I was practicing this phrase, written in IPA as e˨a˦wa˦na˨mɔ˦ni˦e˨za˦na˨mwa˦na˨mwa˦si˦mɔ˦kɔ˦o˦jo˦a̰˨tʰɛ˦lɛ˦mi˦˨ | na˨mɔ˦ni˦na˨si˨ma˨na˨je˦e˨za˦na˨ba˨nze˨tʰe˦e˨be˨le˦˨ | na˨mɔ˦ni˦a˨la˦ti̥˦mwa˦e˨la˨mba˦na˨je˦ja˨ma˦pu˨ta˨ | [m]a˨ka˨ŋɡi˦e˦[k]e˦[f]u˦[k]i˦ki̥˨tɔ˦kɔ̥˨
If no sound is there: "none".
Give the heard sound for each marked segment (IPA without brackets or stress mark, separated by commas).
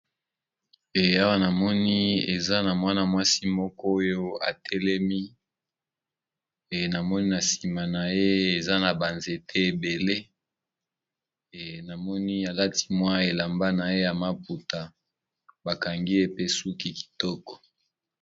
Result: b, p, s, k